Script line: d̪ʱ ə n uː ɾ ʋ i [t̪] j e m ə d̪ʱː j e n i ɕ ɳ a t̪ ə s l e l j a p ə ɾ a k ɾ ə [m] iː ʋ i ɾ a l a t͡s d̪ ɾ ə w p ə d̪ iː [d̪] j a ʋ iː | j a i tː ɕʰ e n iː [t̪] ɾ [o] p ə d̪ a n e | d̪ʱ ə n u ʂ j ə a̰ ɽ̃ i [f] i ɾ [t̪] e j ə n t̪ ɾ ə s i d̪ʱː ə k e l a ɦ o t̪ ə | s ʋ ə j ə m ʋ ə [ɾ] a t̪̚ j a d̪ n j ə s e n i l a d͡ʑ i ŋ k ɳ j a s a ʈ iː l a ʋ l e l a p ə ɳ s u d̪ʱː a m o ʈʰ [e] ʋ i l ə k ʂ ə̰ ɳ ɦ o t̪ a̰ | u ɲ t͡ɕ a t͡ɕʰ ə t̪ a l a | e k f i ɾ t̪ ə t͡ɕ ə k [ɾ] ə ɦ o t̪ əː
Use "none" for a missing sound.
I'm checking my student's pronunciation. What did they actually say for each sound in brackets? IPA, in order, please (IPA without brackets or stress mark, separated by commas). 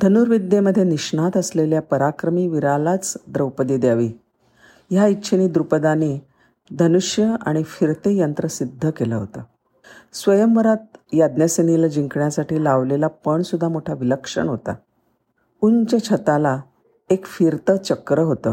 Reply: d̪, m, d̪, d̪, u, f, t̪, ɾ, a, ɾ